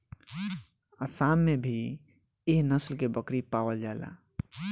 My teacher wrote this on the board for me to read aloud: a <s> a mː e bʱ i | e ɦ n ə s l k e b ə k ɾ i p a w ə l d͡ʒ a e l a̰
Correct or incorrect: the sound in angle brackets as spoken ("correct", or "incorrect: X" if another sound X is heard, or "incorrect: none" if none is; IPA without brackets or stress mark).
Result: correct